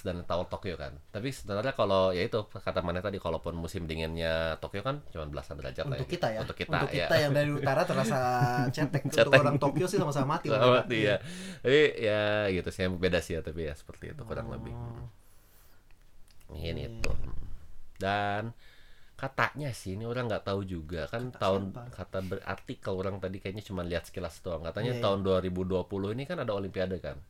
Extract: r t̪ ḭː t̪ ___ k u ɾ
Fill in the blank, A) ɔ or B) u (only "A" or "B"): B